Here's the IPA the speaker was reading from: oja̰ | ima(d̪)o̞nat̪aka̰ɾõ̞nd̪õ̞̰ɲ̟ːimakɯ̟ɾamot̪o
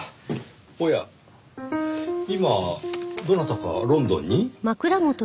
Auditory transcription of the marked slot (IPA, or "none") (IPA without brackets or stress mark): d̪